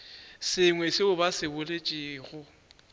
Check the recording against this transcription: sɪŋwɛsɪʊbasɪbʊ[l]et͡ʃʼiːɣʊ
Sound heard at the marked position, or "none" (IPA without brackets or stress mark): l